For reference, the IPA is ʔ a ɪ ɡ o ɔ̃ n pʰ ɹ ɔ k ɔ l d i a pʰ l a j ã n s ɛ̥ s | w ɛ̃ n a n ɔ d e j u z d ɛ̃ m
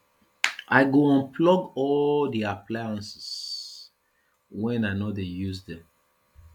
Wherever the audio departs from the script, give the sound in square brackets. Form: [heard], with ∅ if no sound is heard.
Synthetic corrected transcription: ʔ a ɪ ɡ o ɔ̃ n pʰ [l] ɔ [ɡ] ɔ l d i a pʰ l a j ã n s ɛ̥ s | w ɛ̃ n a n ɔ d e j u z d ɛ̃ m